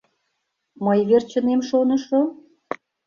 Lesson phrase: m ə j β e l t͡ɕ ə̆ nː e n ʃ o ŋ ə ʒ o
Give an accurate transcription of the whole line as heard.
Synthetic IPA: m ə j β e r t͡ɕ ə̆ n e m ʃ o n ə ʃ o